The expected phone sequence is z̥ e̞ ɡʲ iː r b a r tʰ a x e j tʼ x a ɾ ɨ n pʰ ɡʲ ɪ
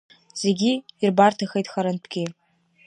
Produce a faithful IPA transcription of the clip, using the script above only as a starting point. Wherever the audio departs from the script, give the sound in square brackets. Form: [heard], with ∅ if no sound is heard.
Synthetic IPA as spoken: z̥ e̞ ɡʲ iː r b a r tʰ a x e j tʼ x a ɾ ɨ n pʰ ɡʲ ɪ